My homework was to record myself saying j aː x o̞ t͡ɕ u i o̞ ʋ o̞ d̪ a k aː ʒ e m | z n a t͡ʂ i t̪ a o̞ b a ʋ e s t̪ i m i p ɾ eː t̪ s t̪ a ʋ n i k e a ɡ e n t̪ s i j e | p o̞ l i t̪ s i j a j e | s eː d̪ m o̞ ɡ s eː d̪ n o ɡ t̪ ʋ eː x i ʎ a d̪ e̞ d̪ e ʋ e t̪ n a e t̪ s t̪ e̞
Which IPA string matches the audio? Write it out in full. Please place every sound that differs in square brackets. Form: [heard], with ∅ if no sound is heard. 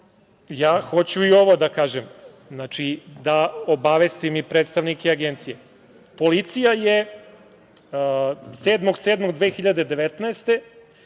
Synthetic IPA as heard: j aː x o̞ t͡ɕ u i o̞ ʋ o̞ d̪ a k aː ʒ e m | z n a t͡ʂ i [d̪] a o̞ b a ʋ e s t̪ i m i p ɾ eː t̪ s t̪ a ʋ n i k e a ɡ e n t̪ s i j e | p o̞ l i t̪ s i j a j e | s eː d̪ m o̞ ɡ s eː d̪ [m] o ɡ [d̪] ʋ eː x i ʎ a d̪ e̞ d̪ e ʋ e t̪ n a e [∅] s t̪ e̞